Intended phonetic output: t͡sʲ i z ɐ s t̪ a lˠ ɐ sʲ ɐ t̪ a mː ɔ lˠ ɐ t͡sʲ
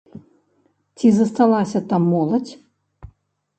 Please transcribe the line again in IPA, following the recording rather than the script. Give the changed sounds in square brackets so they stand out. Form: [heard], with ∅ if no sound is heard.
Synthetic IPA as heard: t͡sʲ i z ɐ s t̪ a lˠ [a] sʲ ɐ t̪ a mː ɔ lˠ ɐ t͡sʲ